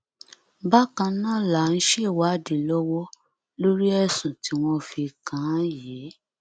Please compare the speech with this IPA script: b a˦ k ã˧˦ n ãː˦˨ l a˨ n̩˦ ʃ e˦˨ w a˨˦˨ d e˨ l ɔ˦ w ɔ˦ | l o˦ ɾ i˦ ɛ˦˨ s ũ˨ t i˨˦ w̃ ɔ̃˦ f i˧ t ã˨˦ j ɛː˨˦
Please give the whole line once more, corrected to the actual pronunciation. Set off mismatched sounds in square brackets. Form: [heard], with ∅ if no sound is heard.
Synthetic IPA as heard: b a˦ k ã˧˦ n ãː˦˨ l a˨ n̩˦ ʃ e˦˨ w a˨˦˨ d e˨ l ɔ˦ w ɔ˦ | l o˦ ɾ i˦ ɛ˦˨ s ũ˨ t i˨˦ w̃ ɔ̃˦ f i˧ [k] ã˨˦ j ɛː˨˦